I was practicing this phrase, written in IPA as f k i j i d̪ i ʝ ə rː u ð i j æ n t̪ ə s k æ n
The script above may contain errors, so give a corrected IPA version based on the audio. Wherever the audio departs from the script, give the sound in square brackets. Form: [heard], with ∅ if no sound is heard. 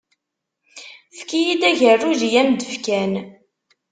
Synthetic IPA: f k i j i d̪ [æ] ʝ ə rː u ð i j æ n [d̪] ə [f] k æ n

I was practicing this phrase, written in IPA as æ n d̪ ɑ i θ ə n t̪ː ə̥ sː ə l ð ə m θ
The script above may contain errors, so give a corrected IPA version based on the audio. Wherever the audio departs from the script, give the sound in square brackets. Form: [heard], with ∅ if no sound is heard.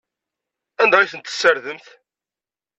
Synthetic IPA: æ n d̪ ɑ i θ ə n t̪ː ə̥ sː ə [ɾ] ð ə m θ

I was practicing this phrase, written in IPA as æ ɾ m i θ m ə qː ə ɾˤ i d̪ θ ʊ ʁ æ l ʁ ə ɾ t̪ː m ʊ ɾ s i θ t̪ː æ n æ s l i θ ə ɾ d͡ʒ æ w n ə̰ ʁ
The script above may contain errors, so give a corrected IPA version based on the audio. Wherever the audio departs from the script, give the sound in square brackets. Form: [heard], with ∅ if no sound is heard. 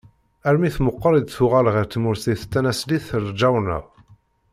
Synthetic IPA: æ ɾ m i θ m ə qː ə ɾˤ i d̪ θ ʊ ʁ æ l ʁ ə ɾ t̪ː m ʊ ɾ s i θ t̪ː æ n æ s l i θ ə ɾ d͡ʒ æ w n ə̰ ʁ

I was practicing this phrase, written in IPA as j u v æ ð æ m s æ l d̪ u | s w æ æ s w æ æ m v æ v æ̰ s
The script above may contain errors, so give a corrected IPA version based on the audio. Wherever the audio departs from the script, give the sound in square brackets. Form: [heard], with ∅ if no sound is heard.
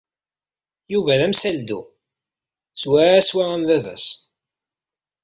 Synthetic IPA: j u v æ ð æ m s æ l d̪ u | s w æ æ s w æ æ m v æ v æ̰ s

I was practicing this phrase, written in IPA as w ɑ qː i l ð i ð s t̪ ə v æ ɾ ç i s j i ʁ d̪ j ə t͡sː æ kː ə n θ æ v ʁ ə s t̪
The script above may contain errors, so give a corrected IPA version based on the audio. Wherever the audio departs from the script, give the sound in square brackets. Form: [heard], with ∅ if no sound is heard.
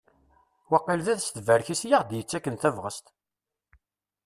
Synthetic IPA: w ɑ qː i l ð [æ] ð s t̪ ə v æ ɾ ç i s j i ʁ d̪ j ə t͡sː æ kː ə n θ æ v ʁ ə s t̪

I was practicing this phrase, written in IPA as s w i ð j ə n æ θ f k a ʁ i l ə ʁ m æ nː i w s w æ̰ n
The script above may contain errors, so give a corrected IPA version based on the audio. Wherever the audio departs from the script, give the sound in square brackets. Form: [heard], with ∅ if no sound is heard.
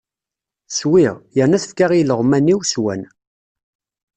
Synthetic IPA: s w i [ʁ] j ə n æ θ f k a ʁ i l ə ʁ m æ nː i w s w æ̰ n

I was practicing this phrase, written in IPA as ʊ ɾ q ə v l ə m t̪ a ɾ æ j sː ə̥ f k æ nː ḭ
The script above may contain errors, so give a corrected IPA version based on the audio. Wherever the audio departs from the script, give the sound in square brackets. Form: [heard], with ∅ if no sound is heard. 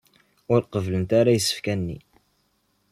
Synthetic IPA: ʊ ɾ q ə v l ə [n] t̪ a ɾ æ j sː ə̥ f k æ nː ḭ

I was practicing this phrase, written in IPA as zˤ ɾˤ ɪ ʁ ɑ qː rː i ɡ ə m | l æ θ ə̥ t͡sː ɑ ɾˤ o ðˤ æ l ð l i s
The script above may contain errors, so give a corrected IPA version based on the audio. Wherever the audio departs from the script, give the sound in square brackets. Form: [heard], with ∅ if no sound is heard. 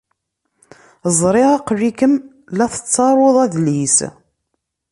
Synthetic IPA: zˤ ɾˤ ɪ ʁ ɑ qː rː i [k] ə m | l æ θ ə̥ t͡sː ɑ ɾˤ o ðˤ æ [∅] ð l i s

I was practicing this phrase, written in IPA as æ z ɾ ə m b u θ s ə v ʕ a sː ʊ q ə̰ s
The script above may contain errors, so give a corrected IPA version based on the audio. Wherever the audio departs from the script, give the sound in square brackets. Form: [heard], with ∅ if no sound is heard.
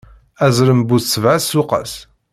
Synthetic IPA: æ z ɾ ə m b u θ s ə v ʕ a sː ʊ q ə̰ s

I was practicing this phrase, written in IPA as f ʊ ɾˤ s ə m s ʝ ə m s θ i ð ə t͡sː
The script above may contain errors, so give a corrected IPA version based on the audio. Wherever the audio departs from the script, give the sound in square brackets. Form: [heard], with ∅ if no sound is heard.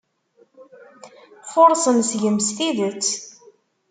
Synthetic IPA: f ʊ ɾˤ s ə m s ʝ ə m s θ i ð ə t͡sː

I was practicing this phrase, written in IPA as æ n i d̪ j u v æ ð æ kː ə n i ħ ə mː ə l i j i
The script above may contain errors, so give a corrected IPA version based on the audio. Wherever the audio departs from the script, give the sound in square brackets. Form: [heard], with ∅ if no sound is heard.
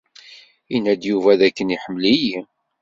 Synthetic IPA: [i] n [æ] d̪ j u v æ ð æ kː ə n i ħ ə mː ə l i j i

